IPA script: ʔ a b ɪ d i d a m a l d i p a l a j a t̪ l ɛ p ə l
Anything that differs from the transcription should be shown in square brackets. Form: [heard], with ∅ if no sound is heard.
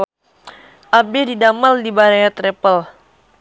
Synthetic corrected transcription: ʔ a b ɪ d i d a m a l d i [b] a [ɾ] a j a t̪ [ɾ] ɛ p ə l